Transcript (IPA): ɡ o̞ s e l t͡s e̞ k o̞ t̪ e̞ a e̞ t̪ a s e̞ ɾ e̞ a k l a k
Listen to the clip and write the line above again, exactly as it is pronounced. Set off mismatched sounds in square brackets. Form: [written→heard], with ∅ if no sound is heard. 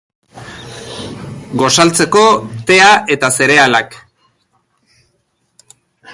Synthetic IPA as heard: ɡ o̞ s [e→a] l t͡s e̞ k o̞ t̪ e̞ a e̞ t̪ a s e̞ ɾ e̞ a [k→∅] l a k